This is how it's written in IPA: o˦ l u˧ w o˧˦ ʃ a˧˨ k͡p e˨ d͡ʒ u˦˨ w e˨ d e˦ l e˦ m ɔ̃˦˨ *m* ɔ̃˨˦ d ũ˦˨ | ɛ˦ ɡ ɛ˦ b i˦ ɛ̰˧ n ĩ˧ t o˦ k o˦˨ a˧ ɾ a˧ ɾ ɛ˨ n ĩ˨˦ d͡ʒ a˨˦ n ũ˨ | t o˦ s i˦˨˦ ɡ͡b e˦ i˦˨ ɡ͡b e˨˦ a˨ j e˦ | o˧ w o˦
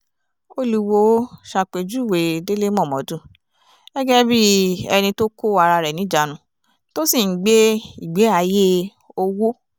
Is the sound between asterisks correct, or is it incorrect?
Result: correct